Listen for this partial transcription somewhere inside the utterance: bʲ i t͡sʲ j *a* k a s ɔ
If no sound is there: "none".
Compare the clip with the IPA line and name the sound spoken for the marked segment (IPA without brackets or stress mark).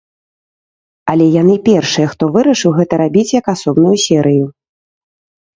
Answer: ɐ